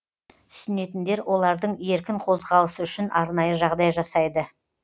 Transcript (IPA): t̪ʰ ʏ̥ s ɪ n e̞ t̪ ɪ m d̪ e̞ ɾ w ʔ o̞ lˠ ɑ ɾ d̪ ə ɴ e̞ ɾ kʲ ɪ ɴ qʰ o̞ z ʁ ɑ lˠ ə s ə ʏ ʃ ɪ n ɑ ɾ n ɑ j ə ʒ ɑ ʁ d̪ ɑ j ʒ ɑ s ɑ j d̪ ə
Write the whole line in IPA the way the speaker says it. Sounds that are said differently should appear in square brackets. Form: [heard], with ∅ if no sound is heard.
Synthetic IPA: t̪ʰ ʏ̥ s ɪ n e̞ t̪ ɪ [n] d̪ e̞ ɾ w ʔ o̞ lˠ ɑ ɾ d̪ ə ɴ e̞ ɾ kʲ ɪ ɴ qʰ o̞ z ʁ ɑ lˠ ə s ə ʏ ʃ ɪ n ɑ ɾ n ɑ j ə ʒ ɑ ʁ d̪ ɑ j ʒ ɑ s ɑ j d̪ ə